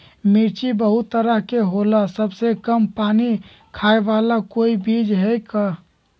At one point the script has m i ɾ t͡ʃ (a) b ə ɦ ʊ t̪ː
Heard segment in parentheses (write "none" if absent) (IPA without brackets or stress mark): i